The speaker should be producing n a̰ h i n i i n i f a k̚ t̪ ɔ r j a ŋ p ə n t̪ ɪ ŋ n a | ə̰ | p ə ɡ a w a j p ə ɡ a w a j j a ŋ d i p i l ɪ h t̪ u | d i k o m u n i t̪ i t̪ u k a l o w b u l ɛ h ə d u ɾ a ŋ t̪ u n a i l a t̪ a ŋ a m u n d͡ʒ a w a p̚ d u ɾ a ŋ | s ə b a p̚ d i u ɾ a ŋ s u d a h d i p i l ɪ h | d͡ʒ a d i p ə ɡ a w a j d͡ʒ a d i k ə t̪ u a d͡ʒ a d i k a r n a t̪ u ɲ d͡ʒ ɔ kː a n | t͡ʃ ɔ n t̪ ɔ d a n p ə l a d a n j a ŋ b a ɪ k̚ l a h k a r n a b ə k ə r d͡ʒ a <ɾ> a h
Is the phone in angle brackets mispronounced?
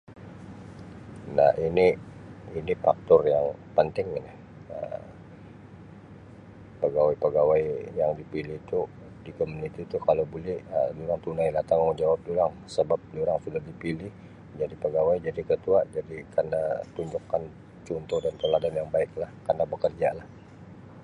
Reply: yes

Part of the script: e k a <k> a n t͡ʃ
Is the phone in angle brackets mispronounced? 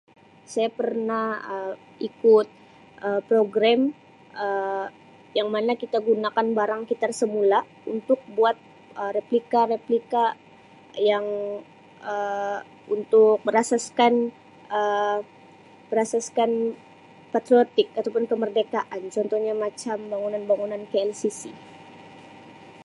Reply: yes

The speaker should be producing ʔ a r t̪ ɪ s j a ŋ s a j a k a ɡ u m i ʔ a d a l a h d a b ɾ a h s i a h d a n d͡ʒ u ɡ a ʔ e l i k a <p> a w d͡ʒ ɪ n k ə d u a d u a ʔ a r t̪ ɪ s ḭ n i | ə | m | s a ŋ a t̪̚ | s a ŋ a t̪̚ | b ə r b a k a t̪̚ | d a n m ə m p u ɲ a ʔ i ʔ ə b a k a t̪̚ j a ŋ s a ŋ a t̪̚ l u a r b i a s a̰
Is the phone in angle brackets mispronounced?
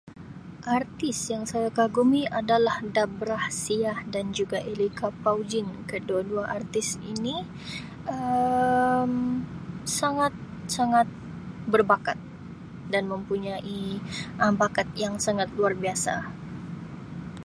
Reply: no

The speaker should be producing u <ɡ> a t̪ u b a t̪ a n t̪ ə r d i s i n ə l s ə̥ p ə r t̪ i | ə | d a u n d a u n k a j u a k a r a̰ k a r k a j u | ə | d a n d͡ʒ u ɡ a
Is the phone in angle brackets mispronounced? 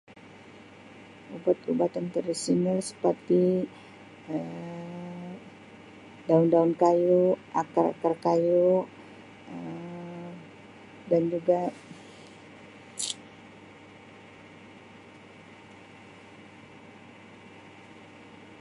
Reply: yes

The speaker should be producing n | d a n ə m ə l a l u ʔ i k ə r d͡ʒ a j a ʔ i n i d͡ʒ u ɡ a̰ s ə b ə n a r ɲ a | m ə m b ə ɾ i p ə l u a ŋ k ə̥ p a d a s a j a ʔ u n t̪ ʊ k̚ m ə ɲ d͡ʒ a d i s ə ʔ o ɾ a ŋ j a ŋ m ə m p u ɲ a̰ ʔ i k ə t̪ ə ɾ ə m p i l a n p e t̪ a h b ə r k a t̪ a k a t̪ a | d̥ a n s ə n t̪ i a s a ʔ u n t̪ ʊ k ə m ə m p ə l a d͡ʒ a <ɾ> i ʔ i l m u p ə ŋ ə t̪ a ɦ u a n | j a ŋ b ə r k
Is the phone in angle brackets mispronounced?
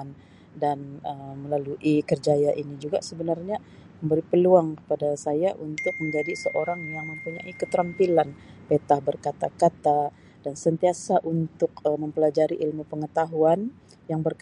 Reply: no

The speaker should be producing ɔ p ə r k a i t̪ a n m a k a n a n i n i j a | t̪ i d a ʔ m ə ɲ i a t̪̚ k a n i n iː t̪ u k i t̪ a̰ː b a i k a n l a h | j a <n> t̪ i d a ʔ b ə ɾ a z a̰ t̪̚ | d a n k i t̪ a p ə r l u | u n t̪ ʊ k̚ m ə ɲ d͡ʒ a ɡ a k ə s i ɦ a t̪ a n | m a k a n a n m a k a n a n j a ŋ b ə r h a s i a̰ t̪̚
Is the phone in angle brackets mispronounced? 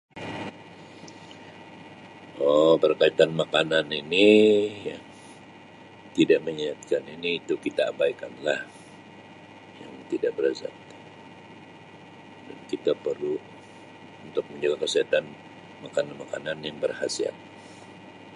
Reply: yes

